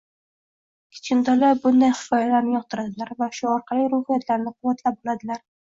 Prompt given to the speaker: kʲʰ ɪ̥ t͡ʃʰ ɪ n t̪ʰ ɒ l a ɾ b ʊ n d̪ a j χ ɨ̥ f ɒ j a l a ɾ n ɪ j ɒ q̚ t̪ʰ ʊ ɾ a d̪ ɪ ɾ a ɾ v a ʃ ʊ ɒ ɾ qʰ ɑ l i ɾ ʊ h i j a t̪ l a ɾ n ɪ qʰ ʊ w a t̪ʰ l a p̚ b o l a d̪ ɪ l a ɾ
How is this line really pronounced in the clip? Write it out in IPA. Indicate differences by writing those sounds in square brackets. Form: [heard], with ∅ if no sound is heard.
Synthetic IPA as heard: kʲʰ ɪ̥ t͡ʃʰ ɪ n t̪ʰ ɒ l a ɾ b ʊ n d̪ a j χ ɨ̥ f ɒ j a l a ɾ n ɪ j ɒ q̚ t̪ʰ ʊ ɾ a d̪ ɪ [l] a ɾ v a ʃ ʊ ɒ ɾ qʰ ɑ l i ɾ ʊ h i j a t̪ l a ɾ n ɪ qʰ ʊ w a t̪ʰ l a p̚ b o l a d̪ ɪ l a ɾ

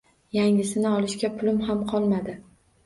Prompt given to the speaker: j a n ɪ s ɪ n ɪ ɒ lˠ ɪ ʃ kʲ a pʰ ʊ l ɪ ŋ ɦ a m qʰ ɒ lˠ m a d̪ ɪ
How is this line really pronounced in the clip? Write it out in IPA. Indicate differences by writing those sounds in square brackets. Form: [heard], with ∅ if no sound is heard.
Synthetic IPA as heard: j a [ŋ] ɪ s ɪ n ɪ ɒ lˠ ɪ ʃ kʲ a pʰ ʊ l ɪ [m] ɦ a m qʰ ɒ lˠ m a d̪ ɪ

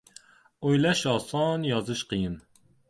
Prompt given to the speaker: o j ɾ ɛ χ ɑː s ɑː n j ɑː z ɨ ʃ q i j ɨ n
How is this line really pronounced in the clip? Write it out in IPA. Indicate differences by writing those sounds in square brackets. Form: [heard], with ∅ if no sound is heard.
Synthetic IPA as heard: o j [l] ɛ [ʃ] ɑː s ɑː n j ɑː z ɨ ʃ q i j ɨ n

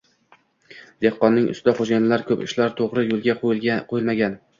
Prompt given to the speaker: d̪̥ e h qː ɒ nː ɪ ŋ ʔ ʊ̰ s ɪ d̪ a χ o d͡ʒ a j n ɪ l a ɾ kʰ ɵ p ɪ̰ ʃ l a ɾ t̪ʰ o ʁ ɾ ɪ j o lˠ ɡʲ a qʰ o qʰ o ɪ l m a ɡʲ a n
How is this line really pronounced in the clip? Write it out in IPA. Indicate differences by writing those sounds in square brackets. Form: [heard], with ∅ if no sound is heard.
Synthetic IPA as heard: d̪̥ e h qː ɒ nː ɪ ŋ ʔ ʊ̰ s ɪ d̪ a χ o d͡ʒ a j n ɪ l a ɾ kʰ ɵ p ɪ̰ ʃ l a ɾ t̪ʰ o ʁ ɾ ɪ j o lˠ ɡʲ a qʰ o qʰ o ɪ l m a ɡʲ a n

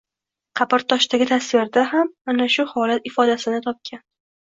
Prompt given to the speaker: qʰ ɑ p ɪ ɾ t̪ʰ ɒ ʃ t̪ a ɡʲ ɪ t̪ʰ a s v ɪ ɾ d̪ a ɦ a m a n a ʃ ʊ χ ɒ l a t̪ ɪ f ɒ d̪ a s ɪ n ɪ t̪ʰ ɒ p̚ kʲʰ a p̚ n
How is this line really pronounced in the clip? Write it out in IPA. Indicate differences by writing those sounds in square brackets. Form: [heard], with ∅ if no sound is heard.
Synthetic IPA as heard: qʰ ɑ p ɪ ɾ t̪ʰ ɒ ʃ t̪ a ɡʲ ɪ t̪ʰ a s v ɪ ɾ d̪ a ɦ a m a n a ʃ ʊ [h] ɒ l a t̪ ɪ f ɒ d̪ a s ɪ n ɪ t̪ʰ ɒ p̚ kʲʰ a [∅] n

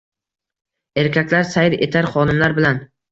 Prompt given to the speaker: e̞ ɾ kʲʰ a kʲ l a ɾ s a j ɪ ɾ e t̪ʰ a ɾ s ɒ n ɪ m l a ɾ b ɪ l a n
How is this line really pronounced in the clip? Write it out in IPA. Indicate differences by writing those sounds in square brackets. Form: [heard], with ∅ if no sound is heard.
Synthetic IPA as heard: e̞ ɾ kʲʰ a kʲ l a ɾ s a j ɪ ɾ e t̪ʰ a ɾ [χ] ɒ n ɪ m l a ɾ b ɪ l a n

